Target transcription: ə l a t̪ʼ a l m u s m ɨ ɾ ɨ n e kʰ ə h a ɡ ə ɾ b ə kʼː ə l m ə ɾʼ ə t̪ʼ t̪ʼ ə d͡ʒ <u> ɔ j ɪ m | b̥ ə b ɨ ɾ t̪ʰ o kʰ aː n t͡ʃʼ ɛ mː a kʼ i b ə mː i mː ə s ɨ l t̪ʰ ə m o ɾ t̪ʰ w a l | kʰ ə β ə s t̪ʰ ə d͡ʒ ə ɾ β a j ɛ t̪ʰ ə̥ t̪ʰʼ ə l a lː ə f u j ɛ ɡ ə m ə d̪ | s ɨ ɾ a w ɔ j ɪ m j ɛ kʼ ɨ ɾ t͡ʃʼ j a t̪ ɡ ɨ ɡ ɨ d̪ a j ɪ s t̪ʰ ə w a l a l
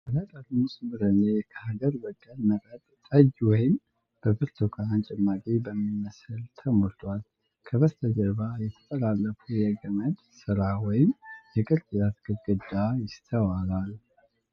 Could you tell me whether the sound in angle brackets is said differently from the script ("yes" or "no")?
yes